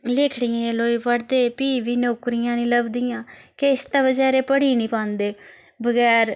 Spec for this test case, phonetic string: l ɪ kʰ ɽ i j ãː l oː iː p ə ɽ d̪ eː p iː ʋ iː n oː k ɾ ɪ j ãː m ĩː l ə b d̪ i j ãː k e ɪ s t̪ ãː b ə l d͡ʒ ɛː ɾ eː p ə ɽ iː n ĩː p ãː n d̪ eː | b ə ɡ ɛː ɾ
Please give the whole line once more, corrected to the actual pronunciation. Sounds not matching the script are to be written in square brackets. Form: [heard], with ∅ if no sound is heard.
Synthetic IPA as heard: l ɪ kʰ ɽ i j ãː l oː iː p ə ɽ d̪ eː p iː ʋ iː n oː k ɾ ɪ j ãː [n] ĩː l ə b d̪ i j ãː k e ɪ s t̪ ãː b ə [∅] d͡ʒ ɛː ɾ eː p ə ɽ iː n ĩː p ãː n d̪ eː | b ə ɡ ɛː ɾ